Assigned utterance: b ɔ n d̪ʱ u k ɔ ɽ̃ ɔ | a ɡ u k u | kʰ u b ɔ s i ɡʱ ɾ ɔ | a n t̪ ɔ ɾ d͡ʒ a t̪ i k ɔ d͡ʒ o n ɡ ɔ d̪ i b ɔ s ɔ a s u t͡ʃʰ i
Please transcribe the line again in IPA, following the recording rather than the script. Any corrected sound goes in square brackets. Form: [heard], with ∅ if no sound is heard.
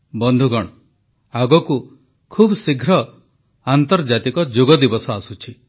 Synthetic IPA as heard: b ɔ n d̪ʱ u [ɡ] ɔ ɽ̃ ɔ | a ɡ [ɔ] k u | kʰ u b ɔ s i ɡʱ ɾ ɔ | a n t̪ ɔ ɾ d͡ʒ a t̪ i k ɔ d͡ʒ o [∅] ɡ ɔ d̪ i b ɔ s ɔ a s u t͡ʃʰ i

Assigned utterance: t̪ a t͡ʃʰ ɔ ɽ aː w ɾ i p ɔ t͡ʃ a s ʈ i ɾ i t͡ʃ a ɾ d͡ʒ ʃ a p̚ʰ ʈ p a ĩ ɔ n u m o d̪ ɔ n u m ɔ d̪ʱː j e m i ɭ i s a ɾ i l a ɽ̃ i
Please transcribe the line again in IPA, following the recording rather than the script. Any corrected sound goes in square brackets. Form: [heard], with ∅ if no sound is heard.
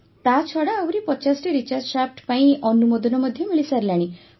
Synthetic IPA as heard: t̪ a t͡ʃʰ ɔ ɽ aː w ɾ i p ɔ t͡ʃ a s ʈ i ɾ i t͡ʃ a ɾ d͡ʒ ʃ a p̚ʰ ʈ p a ĩ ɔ n u m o d̪ ɔ n [ɔ] m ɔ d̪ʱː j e m i ɭ i s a ɾ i l a ɽ̃ i

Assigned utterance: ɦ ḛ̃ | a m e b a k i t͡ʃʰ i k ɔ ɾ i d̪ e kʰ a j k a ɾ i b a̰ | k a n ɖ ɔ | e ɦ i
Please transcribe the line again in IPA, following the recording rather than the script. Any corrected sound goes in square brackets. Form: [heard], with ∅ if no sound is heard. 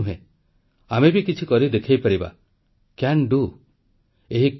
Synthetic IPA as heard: ɦ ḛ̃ | a m e b [i] k i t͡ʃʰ i k ɔ ɾ i d̪ e kʰ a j [p] a ɾ i b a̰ | k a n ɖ [u] | e ɦ i

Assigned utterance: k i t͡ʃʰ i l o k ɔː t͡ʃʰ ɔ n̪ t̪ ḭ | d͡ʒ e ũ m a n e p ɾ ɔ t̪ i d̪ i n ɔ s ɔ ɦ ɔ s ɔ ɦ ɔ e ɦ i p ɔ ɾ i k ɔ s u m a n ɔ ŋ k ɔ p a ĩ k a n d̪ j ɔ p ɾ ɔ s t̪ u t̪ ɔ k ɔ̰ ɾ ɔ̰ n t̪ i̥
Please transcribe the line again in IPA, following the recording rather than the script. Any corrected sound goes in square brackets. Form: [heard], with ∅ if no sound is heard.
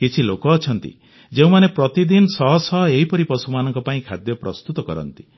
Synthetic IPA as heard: k i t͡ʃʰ i l o k ɔː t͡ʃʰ ɔ n̪ t̪ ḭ | d͡ʒ e ũ m a n e p ɾ ɔ t̪ i d̪ i n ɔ s ɔ ɦ ɔ s ɔ ɦ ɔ e ɦ i p ɔ ɾ i [p] ɔ s u m a n ɔ ŋ k ɔ p a ĩ [kʰ] a [∅] d̪ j ɔ p ɾ ɔ s t̪ u t̪ ɔ k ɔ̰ ɾ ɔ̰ n t̪ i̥

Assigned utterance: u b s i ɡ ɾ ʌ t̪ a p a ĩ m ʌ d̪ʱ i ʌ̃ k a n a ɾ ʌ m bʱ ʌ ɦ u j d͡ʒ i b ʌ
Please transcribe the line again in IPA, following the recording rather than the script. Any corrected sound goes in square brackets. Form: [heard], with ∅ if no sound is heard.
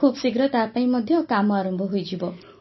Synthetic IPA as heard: u b s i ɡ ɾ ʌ t̪ a p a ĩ m ʌ d̪ʱ [j] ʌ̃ k a [m] a ɾ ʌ m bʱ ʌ ɦ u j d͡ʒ i b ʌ

